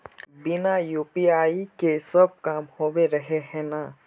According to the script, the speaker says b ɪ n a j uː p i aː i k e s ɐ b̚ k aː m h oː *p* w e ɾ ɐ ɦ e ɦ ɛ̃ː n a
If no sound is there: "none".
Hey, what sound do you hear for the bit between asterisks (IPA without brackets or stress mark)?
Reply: none